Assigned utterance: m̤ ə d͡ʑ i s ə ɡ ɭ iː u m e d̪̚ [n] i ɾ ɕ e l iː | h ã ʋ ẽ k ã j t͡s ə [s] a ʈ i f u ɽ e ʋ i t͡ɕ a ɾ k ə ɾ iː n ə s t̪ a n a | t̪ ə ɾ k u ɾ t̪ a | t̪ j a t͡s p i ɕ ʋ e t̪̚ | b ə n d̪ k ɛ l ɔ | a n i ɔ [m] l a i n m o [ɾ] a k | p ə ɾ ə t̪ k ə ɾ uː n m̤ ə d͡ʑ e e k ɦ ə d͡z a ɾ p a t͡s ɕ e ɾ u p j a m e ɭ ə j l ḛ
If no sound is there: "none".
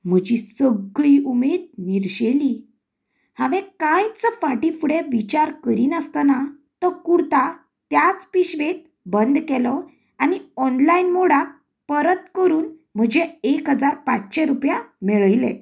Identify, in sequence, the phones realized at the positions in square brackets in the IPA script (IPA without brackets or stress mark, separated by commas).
n, f, n, ɽ